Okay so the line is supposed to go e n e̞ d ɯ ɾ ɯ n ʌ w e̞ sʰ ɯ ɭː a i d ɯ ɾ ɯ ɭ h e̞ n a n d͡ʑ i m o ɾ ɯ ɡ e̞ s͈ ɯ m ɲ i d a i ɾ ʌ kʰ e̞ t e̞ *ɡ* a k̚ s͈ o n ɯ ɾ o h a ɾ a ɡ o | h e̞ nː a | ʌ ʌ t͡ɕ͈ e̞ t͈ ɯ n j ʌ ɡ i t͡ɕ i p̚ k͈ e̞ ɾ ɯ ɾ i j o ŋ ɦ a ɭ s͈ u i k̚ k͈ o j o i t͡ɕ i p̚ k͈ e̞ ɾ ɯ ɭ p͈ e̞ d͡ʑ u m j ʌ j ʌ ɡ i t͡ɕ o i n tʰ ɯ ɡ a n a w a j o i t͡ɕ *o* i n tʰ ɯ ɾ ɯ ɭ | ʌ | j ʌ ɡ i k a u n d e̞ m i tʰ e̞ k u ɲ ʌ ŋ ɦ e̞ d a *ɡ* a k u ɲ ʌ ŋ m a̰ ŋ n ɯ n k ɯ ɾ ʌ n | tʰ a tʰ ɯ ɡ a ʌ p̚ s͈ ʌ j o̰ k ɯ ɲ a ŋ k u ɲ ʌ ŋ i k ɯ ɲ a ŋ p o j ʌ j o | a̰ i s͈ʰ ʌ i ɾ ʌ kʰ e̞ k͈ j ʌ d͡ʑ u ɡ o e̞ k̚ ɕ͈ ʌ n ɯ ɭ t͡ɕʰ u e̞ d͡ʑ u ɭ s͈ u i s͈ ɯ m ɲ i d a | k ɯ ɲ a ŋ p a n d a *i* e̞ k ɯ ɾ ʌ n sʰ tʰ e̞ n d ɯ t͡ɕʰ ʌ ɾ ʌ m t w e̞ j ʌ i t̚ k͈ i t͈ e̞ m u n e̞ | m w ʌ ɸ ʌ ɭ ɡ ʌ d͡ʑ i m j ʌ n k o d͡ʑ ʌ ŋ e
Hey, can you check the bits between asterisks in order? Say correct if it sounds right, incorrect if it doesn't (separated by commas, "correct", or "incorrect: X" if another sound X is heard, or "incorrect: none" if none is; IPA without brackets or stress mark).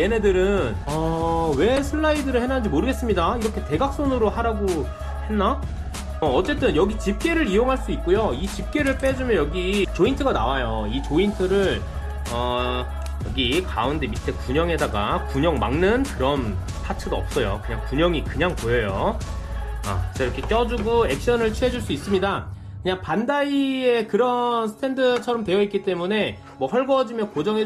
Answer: correct, correct, correct, correct